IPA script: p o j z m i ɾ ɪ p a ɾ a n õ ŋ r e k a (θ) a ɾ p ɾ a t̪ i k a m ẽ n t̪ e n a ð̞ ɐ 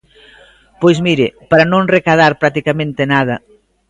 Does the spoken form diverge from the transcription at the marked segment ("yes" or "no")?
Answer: yes